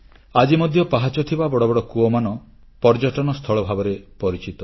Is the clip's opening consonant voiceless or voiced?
voiced